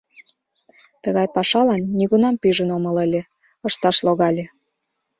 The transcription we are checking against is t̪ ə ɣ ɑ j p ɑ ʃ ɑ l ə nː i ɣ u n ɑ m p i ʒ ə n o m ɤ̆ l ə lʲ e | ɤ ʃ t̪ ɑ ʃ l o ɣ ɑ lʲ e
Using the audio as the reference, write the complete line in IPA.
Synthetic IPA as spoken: t̪ ə ɣ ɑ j p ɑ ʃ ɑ l ɑ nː i ɣ u n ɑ m p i ʒ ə n o m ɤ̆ l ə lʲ e | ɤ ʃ t̪ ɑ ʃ l o ɣ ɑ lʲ e

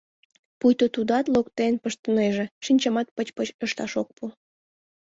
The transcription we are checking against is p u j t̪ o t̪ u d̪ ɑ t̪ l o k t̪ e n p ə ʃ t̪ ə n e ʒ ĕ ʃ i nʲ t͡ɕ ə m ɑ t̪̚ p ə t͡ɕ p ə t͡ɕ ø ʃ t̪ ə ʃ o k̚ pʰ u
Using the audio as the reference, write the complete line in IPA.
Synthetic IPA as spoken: p u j t̪ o t̪ u d̪ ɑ t̪ l o k t̪ e n p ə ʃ t̪ ə n e ʒ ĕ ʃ i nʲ t͡ɕ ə m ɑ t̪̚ p ə t͡ɕ p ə t͡ɕ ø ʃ t̪ ɑ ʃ o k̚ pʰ u

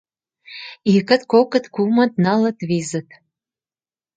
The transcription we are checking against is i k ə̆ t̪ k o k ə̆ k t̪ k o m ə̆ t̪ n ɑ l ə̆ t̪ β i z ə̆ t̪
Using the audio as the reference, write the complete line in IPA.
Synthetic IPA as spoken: i k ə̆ t̪ k o k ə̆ t̪ k u m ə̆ t̪ n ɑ l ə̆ t̪ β i z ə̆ t̪

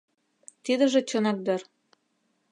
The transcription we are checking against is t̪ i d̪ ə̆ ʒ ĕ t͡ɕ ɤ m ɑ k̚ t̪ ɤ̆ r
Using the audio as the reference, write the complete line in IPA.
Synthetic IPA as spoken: t̪ i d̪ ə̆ ʒ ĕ t͡ɕ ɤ n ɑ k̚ d̪ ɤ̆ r

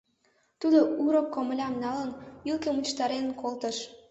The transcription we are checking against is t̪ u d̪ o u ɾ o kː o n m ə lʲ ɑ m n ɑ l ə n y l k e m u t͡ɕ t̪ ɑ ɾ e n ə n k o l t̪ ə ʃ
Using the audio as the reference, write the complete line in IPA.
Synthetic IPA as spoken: t̪ u d̪ o u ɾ o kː o m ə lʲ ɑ m n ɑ l ə n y l k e m u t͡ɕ t̪ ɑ ɾ e n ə n k o l t̪ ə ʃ

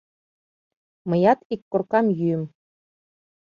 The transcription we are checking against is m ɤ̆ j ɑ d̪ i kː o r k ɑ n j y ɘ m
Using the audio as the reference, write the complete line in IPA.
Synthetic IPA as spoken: m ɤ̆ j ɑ t̪ i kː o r k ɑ m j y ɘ m

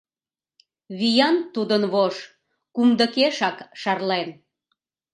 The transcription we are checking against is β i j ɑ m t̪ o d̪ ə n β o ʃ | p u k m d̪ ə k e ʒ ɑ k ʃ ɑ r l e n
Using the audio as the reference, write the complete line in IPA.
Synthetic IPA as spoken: β i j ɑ n t̪ u d̪ ə n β o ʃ | k u m d̪ ə k e ʃ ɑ k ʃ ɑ r l e n

